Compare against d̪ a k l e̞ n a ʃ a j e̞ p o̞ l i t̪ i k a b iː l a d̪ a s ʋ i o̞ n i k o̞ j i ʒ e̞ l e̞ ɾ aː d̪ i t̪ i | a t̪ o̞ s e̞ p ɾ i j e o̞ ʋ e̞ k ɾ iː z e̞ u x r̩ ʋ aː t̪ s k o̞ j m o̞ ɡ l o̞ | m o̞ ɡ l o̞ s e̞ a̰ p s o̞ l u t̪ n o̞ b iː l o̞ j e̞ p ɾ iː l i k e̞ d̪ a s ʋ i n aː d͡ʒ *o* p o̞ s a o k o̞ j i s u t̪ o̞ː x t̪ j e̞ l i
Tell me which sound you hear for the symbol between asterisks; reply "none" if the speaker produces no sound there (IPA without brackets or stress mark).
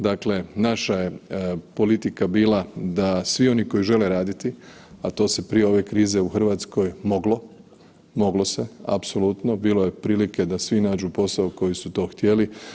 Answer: u